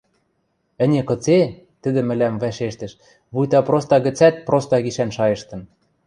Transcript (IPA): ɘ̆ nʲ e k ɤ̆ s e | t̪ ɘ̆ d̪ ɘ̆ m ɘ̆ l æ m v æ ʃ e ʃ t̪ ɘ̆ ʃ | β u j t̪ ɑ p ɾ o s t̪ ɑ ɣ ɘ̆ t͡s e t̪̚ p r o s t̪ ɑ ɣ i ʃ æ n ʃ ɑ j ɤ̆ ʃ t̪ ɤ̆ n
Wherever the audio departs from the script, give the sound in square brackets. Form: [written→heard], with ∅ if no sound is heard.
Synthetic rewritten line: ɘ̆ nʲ e k ɤ̆ [s→t͡s] e | t̪ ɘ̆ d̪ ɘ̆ m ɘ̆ l æ m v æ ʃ e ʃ t̪ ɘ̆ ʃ | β u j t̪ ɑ p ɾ o s t̪ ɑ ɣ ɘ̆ t͡s [e→æ] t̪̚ p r o s t̪ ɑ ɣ i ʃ æ n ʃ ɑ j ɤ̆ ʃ t̪ ɤ̆ n